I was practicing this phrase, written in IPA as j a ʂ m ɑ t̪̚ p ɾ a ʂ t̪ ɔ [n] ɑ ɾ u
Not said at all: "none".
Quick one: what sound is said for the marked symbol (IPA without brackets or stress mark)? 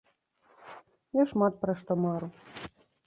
m